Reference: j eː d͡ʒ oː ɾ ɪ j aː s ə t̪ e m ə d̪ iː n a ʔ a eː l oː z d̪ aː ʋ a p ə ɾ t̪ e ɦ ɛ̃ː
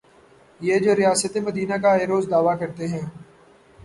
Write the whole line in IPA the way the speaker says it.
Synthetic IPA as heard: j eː d͡ʒ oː ɾ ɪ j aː s ə t̪ e m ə d̪ iː n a k a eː ɾ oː z d̪ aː ʋ a k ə ɾ t̪ e ɦ ɛ̃ː